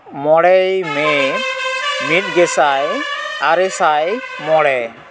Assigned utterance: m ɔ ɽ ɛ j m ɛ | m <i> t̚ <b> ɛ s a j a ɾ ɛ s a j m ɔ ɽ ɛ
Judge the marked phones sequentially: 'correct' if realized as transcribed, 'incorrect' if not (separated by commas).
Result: correct, incorrect